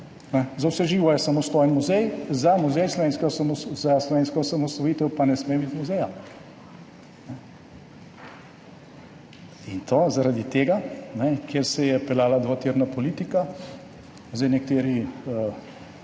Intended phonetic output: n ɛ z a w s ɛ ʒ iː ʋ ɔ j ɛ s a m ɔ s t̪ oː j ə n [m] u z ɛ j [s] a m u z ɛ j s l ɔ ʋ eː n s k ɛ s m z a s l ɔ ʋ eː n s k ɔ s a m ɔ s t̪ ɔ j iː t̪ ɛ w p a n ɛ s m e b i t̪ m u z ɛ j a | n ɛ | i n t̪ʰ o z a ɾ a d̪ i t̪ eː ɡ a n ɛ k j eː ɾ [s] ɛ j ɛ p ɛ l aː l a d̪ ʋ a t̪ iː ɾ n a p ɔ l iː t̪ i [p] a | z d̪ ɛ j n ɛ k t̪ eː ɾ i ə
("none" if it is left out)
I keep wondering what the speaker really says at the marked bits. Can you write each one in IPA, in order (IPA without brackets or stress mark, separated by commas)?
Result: m, z, s, k